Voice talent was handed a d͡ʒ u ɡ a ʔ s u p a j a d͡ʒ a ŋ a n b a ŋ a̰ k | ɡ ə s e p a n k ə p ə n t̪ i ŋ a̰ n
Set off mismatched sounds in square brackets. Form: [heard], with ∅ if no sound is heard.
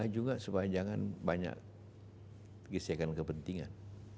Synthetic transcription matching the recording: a d͡ʒ u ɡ a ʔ s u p a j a d͡ʒ a ŋ a n b a [ɲ] a̰ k | ɡ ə s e [k] a n k ə p ə n t̪ i ŋ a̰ n